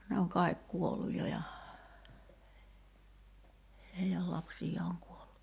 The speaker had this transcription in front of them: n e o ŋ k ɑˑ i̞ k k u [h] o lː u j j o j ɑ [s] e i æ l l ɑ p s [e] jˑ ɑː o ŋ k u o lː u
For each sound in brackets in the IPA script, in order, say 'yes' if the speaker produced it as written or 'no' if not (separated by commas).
no, no, no